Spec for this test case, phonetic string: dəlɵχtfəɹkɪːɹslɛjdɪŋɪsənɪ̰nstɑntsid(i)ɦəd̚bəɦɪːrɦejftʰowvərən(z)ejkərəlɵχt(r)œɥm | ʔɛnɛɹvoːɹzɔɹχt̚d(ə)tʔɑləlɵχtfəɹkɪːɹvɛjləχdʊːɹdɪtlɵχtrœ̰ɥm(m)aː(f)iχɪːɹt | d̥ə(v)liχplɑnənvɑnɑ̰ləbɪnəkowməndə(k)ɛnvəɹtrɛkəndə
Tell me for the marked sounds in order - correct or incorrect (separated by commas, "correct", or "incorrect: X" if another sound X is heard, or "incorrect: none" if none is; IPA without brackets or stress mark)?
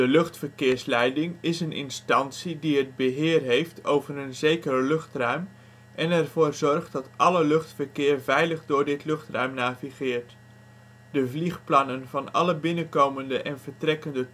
correct, correct, correct, incorrect: ɑ, incorrect: n, incorrect: v, correct, incorrect: ʔ